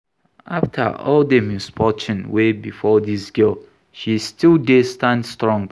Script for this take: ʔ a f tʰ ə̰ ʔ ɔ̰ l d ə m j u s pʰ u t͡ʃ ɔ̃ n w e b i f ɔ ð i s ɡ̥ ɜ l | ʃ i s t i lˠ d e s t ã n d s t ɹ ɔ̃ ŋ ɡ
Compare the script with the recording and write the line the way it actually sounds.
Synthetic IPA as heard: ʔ a f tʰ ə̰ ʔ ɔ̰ l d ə m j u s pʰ ɔ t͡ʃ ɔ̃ n w e b i f ɔ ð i s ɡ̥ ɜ l | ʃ i s t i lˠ d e s t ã n d s t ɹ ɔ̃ ŋ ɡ